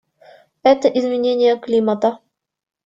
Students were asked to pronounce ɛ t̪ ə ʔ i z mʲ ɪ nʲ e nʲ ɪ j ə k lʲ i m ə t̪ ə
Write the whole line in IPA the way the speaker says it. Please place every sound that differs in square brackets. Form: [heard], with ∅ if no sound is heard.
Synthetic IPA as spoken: ɛ t̪ ə ʔ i z mʲ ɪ nʲ e nʲ ɪ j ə k lʲ i m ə t̪ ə